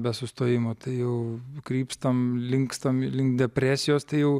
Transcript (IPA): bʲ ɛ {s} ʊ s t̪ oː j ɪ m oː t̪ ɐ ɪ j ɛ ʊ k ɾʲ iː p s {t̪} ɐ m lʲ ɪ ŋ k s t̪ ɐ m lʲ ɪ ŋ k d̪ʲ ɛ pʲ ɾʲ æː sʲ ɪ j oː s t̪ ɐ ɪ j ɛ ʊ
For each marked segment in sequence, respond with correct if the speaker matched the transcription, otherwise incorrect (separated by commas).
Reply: correct, correct